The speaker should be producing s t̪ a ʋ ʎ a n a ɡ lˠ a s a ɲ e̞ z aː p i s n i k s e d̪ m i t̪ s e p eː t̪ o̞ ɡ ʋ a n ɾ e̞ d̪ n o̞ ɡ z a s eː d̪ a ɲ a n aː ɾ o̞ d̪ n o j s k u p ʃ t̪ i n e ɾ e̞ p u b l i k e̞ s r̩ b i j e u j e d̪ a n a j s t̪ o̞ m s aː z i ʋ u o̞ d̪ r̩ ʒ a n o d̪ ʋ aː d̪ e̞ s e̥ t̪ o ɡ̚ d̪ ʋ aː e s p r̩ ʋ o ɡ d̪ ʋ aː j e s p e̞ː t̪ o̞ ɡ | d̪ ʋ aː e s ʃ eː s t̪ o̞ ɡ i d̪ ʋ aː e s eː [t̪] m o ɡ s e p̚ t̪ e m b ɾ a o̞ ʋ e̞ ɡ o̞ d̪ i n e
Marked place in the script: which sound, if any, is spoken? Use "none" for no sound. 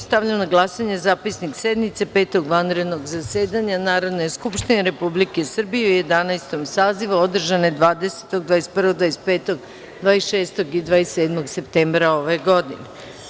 d̪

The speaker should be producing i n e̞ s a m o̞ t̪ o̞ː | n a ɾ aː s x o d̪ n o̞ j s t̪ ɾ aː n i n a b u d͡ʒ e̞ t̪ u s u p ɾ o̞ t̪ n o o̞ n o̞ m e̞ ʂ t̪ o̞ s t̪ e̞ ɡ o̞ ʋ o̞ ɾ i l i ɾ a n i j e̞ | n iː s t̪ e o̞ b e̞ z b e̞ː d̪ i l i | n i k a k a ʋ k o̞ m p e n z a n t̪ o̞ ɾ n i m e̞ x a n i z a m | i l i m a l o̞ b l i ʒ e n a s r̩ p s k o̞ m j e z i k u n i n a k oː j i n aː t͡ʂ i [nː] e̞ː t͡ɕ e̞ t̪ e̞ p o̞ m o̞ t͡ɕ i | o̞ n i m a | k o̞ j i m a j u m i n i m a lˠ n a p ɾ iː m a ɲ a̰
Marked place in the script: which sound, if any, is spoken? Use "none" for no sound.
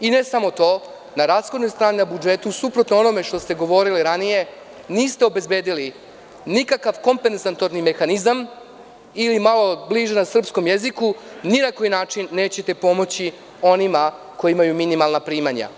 nː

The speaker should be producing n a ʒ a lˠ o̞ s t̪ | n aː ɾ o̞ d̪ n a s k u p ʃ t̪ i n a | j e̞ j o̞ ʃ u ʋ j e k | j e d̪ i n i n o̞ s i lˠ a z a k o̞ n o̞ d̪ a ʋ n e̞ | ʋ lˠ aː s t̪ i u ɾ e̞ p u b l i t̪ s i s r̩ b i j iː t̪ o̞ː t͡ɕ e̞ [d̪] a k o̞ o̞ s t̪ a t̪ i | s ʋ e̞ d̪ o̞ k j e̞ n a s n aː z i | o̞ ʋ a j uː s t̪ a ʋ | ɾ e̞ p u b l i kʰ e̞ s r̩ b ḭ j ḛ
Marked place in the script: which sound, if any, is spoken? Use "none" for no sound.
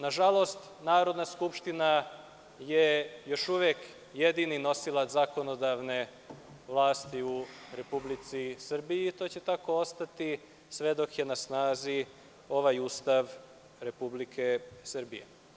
t̪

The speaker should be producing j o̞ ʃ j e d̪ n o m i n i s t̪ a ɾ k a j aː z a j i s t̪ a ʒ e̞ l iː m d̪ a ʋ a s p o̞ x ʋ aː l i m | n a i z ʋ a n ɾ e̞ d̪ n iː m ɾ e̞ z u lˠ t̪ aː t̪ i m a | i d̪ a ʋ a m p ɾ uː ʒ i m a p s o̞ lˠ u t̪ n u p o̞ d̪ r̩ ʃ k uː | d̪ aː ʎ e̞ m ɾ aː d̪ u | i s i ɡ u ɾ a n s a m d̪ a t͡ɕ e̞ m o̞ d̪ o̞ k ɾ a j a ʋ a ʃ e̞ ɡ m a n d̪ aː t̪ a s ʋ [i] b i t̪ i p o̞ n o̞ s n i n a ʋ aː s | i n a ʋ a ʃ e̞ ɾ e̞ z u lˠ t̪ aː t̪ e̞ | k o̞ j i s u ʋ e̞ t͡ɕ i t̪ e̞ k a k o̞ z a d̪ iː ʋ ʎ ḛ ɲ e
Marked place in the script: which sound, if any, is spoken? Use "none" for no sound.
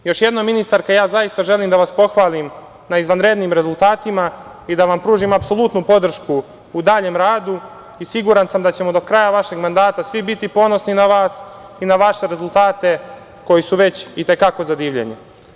i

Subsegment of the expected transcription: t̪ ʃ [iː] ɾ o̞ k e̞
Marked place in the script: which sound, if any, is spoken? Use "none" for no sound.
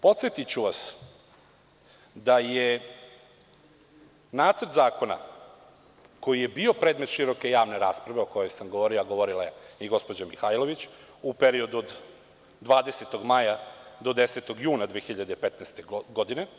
i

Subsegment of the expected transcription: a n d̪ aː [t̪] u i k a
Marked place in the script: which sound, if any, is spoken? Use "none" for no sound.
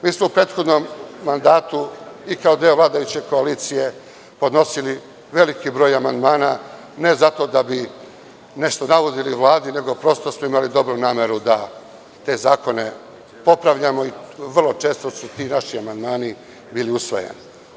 t̪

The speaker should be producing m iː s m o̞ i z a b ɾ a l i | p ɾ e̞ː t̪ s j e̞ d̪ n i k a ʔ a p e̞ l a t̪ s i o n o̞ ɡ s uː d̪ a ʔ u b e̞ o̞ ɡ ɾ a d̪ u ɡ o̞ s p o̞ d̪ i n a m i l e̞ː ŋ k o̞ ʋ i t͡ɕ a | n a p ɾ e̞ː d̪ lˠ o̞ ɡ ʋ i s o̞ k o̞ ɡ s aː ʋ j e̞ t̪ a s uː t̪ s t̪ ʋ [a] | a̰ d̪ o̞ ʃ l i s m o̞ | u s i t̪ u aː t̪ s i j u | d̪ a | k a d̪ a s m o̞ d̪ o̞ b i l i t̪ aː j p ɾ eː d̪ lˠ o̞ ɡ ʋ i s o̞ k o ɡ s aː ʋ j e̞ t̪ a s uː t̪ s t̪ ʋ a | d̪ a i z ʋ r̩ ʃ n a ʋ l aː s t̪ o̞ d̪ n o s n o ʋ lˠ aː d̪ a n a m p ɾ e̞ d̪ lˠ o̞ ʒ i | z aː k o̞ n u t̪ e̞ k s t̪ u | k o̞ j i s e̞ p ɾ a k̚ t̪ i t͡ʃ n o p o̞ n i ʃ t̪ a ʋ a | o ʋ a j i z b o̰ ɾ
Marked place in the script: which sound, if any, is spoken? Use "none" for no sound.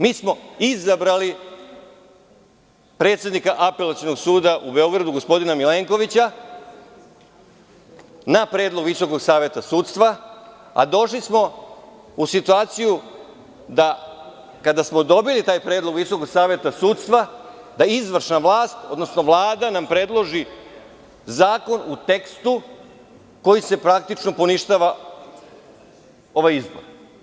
a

